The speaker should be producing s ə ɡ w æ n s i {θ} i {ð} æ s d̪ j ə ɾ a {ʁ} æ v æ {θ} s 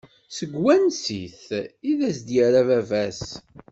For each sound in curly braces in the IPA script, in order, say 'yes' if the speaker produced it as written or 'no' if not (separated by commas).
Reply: yes, yes, no, no